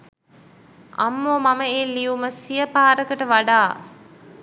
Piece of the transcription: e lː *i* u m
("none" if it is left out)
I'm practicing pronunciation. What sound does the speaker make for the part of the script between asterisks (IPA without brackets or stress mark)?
i